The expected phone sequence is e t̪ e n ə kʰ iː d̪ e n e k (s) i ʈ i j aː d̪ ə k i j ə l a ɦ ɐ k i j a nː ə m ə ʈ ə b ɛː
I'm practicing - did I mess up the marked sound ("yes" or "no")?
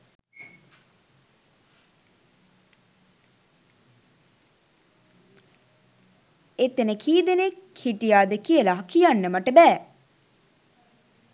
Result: yes